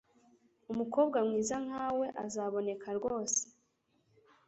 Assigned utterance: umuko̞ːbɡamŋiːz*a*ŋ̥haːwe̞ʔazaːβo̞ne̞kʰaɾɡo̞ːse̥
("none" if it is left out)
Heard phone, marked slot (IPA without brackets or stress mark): a